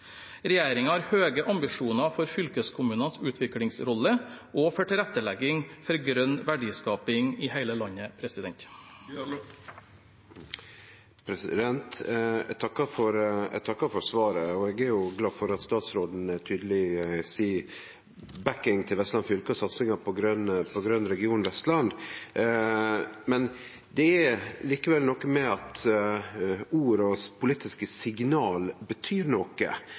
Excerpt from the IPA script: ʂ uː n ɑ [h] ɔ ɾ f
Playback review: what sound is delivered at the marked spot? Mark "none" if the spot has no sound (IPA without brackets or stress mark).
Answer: f